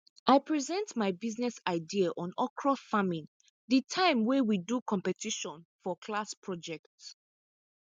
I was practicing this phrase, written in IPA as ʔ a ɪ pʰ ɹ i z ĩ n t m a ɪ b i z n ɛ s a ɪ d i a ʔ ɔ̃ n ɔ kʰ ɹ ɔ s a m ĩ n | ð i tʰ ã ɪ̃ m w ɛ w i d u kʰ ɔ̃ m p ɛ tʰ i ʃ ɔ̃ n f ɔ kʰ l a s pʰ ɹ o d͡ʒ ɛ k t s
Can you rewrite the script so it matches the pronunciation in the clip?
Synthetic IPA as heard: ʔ a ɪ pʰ ɹ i z ɛ̃ n t m a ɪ b i z n ɛ s a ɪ d i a ʔ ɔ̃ n ɔ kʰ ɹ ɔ f a m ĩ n | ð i tʰ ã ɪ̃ m w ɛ w i d u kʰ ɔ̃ m p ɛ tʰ i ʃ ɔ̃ n f ɔ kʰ l a s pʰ ɹ ɔ d͡ʒ ɛ k t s